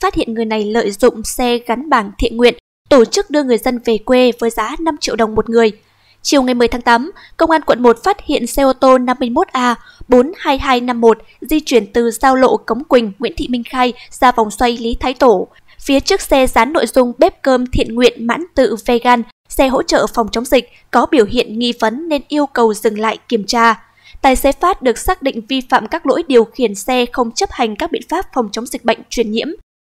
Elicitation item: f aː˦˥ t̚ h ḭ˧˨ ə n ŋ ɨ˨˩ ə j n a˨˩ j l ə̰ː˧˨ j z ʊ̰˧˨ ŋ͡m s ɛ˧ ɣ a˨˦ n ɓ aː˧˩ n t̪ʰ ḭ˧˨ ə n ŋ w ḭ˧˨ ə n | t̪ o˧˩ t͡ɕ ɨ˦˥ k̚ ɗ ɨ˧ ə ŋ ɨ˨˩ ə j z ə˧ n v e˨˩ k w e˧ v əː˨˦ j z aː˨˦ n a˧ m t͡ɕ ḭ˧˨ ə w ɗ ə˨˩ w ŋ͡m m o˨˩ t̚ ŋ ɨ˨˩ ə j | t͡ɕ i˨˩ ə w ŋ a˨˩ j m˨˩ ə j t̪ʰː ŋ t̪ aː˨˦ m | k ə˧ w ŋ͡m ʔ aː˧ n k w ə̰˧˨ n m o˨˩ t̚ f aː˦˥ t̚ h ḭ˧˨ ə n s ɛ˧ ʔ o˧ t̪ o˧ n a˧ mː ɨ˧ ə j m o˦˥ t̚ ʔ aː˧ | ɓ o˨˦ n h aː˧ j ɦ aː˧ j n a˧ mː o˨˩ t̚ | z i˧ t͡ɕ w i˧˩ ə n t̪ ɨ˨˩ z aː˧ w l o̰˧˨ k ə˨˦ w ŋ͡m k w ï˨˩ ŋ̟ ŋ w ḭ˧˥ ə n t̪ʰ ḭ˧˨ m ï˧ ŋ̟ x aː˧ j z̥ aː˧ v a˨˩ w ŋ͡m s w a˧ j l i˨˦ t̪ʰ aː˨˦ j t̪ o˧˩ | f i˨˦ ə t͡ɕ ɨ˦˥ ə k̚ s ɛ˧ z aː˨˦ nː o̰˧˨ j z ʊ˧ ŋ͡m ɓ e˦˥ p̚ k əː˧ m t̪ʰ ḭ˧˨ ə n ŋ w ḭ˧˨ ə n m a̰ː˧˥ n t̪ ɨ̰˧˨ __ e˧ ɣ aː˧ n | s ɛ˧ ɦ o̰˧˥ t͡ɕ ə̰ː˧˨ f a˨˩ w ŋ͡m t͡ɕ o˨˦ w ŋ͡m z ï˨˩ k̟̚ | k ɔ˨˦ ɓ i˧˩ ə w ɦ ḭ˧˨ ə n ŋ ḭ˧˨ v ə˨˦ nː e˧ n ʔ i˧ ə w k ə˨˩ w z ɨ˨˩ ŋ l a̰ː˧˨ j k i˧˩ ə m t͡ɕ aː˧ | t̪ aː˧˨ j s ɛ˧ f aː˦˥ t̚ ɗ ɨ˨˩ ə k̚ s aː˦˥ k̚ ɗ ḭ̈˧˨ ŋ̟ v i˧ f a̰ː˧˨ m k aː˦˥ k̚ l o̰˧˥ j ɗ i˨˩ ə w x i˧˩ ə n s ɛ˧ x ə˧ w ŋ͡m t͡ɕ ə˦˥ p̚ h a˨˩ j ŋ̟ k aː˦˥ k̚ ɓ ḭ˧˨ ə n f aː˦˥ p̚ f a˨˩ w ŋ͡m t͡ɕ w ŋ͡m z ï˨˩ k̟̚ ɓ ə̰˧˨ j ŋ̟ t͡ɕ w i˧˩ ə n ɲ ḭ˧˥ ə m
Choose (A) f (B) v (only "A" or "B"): B